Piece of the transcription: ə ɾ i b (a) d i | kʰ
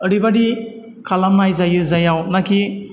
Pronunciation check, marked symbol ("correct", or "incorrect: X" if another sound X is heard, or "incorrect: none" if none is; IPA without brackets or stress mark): correct